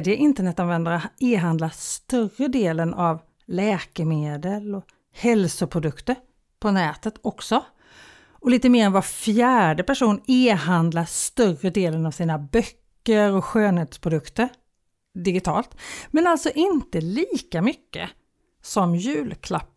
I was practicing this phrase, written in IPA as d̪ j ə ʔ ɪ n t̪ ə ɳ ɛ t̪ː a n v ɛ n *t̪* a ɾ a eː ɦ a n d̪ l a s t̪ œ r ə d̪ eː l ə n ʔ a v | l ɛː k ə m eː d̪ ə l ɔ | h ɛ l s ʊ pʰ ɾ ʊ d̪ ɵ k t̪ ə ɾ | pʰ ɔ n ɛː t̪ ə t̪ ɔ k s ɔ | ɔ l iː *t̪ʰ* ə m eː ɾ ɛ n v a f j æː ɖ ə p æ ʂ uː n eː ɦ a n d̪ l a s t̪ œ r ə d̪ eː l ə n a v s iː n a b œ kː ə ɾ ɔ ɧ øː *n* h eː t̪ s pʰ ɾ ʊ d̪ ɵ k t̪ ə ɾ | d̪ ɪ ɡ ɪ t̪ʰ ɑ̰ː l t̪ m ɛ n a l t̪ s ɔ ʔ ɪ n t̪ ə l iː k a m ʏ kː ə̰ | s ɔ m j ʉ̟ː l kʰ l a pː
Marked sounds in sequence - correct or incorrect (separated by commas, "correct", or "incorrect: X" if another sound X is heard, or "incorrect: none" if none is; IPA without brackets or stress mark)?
incorrect: d̪, incorrect: t̪, correct